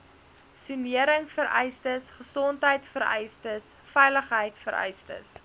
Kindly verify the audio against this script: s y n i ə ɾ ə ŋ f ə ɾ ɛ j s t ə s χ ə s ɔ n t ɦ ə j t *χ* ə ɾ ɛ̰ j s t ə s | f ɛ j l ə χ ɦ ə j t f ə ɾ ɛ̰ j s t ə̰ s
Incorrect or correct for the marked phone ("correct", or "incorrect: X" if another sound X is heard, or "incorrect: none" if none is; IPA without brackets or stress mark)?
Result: incorrect: f